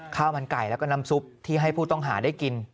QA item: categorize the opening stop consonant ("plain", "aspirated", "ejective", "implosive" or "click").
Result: aspirated